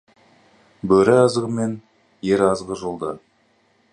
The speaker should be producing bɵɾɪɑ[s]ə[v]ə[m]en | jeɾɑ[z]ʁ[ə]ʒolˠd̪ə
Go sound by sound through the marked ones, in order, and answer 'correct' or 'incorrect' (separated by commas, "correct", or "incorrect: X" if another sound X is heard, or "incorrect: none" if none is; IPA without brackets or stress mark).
incorrect: z, incorrect: ʁ, correct, correct, correct